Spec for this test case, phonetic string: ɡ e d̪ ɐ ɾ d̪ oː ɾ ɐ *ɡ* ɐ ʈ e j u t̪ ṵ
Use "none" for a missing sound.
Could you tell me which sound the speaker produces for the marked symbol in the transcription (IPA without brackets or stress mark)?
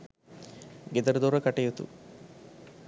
k